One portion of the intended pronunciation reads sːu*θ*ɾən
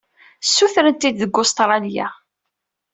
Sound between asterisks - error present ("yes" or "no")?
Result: no